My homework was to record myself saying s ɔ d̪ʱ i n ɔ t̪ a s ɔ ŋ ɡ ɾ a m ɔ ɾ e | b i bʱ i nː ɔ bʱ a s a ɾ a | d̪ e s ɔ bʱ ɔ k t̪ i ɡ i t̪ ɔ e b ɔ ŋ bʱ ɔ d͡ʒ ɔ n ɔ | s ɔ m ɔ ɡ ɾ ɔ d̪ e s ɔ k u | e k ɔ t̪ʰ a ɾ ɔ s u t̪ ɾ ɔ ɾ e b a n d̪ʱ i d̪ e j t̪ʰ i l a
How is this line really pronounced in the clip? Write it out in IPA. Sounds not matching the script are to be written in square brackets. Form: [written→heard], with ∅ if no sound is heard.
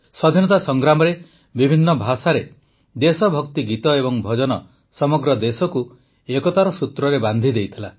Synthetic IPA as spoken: s ɔ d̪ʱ i n ɔ t̪ a s ɔ ŋ ɡ ɾ a m ɔ ɾ e | b i bʱ i nː ɔ bʱ a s a ɾ [a→e] | d̪ e s ɔ bʱ ɔ k t̪ i ɡ i t̪ ɔ e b ɔ ŋ bʱ ɔ d͡ʒ ɔ n ɔ | s ɔ m ɔ ɡ ɾ ɔ d̪ e s ɔ k u | e k ɔ [t̪ʰ→t̪] a ɾ ɔ s u t̪ ɾ ɔ ɾ e b a n d̪ʱ i d̪ e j t̪ʰ i l a